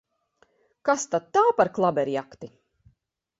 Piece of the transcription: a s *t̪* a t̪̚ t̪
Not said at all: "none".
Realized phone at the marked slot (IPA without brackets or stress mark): t̪